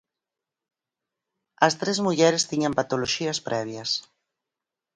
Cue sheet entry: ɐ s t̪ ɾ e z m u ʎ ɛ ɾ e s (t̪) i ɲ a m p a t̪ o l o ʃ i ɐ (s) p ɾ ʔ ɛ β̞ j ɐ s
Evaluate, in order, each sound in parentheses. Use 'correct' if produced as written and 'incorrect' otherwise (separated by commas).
correct, correct